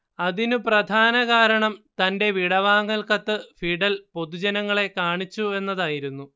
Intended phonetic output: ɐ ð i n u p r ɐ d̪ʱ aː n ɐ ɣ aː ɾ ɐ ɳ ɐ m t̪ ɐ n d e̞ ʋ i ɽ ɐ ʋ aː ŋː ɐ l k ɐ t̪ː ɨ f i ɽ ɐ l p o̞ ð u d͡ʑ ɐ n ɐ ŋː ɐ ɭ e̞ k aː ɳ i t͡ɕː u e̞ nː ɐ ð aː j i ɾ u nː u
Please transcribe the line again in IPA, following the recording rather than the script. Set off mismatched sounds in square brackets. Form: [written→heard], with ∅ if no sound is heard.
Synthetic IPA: ɐ ð i n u p r ɐ d̪ʱ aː n ɐ ɣ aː ɾ ɐ ɳ ɐ m t̪ ɐ n d e̞ ʋ i ɽ ɐ ʋ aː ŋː ɐ l k ɐ t̪ː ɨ f i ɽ ɐ l p o̞ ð u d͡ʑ ɐ n ɐ ŋː ɐ ɭ e̞ k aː ɳ i t͡ɕː u e̞ nː ɐ ð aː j i ɾ u nː u